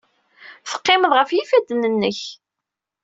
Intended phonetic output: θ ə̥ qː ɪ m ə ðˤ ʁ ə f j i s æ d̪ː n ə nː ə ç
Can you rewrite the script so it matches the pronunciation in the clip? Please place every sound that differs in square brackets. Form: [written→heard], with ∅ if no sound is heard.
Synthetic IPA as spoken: θ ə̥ qː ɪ m ə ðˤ ʁ ə f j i [s→f] æ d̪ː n ə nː ə ç

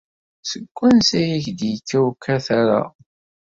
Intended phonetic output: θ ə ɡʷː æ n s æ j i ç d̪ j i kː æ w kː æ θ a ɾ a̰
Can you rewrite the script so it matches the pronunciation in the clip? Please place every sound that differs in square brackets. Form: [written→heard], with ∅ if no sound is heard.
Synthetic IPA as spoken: [θ→s] ə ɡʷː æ n s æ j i ç d̪ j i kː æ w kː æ θ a ɾ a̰

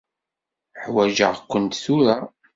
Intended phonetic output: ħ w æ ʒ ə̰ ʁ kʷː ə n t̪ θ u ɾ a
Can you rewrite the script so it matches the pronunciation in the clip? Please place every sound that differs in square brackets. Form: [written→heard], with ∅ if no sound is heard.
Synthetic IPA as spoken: ħ w æ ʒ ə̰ ʁ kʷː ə n t̪ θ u ɾ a

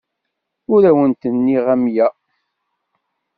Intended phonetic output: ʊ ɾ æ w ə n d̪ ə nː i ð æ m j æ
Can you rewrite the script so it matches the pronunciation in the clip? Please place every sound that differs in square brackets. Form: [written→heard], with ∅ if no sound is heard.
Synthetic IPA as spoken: ʊ ɾ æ w ə n [d̪→t̪] ə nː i [ð→ʁ] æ m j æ

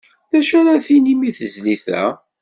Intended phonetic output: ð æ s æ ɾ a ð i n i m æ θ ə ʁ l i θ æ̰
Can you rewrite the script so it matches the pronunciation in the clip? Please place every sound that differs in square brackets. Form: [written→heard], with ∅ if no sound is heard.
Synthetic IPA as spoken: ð æ [s→ʃ] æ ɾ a [ð→θ] i n i m [æ→i] θ ə [ʁ→z] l i θ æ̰

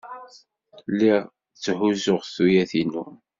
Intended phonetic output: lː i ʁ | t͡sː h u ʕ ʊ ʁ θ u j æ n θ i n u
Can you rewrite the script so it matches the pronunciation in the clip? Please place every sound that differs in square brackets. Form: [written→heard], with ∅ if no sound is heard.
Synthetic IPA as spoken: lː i ʁ | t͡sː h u [ʕ→z] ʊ ʁ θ u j æ [n→∅] θ i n u

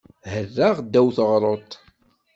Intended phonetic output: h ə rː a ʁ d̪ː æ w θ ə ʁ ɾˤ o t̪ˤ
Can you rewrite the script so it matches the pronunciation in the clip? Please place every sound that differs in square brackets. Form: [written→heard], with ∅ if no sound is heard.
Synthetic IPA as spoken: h ə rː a ʁ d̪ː æ w θ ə ʁ ɾˤ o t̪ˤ

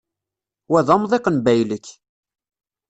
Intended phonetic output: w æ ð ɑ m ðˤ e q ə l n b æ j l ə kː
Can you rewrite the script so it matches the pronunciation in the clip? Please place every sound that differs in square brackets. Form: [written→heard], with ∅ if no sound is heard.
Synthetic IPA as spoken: w æ ð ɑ m ðˤ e q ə [l→∅] n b æ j l ə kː

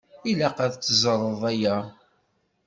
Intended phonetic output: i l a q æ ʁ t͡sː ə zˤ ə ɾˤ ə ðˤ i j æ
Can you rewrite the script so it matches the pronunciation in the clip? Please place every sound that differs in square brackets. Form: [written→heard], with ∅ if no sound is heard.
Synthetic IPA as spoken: i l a q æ [ʁ→ð] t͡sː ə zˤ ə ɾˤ ə ðˤ [i→æ] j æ

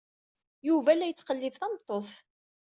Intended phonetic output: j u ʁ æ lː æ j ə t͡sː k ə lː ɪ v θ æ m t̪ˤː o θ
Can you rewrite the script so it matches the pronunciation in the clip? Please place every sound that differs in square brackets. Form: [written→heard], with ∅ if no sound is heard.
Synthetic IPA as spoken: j u [ʁ→v] æ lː æ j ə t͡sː [k→q] ə lː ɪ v θ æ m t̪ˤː o θ

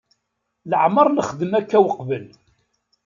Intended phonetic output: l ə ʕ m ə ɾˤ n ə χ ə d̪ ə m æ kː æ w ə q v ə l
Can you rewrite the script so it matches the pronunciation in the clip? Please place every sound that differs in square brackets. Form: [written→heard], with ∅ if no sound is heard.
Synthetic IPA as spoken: l ə ʕ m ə ɾˤ n ə χ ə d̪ ə m æ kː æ w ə q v ə l

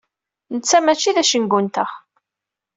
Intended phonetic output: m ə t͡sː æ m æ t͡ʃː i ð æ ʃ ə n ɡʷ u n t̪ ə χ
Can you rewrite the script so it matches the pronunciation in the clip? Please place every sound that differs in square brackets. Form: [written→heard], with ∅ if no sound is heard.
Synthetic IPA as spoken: [m→n] ə t͡sː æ m æ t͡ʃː i ð æ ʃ ə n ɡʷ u n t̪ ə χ

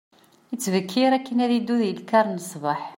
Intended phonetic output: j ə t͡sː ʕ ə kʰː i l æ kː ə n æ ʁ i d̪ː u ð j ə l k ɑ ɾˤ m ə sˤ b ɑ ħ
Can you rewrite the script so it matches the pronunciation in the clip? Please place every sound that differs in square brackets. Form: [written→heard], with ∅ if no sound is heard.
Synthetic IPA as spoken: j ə t͡sː [ʕ→v] ə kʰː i [l→ɾ] æ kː ə n æ [ʁ→ð] i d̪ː u ð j ə l k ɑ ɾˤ [m→n] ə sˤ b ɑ ħ

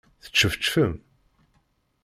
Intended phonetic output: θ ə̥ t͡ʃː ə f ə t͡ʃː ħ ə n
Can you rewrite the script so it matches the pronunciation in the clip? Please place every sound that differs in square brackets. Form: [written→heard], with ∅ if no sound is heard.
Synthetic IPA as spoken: θ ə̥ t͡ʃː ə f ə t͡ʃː [ħ→f] ə [n→m]

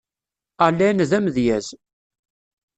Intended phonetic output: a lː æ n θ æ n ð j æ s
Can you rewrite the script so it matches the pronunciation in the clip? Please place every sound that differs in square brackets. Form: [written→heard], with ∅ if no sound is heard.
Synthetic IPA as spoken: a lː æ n [θ→ð] æ [n→m] ð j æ [s→z]

